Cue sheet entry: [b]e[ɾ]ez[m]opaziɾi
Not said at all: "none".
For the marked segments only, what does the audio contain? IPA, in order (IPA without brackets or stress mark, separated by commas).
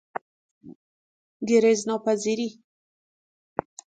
ɡ, ɾ, n